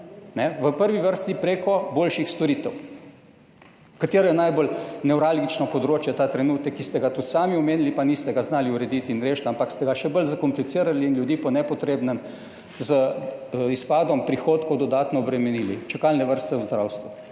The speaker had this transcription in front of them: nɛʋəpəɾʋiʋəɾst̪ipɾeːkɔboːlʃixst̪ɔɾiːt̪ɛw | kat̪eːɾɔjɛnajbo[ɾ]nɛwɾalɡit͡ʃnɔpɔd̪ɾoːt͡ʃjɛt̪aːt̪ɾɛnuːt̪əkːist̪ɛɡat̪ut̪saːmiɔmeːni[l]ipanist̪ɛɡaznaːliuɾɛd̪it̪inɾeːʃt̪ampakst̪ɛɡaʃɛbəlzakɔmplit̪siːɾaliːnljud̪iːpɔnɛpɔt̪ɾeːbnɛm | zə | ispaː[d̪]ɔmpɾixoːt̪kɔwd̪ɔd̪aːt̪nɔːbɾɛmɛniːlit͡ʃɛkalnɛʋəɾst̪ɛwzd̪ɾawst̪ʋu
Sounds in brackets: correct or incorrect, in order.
incorrect: l, correct, correct

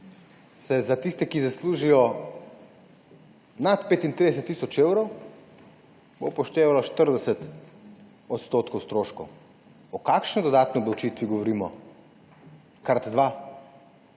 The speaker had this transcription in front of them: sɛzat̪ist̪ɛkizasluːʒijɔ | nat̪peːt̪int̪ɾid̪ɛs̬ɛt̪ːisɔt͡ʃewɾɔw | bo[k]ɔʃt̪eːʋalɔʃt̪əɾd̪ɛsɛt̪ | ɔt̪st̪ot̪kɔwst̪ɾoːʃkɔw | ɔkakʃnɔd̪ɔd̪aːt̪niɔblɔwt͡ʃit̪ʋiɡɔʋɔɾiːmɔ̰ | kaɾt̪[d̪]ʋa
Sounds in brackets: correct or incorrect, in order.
incorrect: p, correct

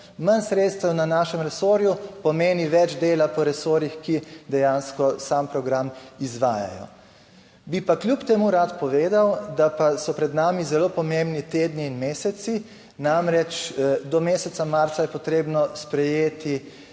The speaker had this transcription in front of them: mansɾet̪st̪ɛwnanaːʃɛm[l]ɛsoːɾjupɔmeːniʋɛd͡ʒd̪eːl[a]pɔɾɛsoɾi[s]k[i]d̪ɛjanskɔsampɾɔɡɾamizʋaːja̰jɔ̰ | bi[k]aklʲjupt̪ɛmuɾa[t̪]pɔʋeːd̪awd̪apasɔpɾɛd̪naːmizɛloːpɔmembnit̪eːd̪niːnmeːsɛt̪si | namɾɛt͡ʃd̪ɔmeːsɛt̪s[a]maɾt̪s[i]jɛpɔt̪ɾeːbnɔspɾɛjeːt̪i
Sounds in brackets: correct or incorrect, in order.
incorrect: ɾ, correct, incorrect: x, correct, incorrect: p, correct, correct, incorrect: a

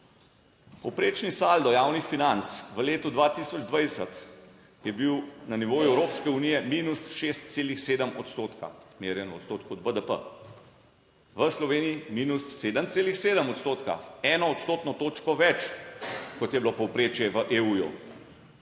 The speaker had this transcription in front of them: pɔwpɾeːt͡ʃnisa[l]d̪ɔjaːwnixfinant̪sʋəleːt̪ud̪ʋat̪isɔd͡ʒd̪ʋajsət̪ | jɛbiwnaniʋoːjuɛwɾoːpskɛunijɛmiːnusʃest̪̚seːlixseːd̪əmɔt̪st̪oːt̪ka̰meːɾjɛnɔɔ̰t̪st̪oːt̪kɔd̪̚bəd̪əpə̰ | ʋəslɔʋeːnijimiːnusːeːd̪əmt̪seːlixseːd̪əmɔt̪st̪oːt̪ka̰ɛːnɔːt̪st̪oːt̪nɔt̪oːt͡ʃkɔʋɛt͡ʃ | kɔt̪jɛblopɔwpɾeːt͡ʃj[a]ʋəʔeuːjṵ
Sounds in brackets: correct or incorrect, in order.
correct, incorrect: ɛ

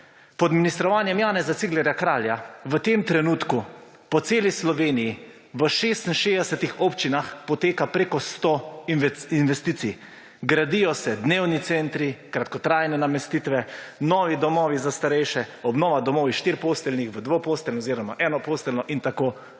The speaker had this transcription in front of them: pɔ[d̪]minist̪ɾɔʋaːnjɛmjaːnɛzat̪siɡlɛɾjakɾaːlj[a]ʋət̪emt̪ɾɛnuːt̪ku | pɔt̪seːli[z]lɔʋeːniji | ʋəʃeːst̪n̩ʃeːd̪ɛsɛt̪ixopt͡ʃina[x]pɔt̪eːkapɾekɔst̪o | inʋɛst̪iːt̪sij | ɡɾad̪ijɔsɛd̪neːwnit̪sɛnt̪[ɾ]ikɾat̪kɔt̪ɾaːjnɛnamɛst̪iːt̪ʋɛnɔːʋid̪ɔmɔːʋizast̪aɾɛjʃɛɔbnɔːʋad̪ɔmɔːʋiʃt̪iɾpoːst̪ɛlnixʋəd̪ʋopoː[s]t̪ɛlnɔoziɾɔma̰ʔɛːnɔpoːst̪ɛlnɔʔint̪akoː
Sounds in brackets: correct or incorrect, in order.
correct, correct, incorrect: s, correct, correct, correct

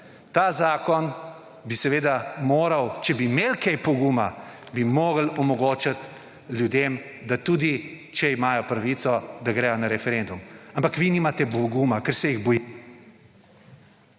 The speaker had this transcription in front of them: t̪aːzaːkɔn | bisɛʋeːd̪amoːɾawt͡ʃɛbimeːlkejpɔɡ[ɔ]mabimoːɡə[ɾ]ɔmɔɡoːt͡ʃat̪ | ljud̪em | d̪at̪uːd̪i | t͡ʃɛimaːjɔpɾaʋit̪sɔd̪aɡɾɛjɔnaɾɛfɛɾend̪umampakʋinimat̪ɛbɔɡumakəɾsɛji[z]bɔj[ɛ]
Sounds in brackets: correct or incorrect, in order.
incorrect: u, incorrect: l, incorrect: ɣ, incorrect: i

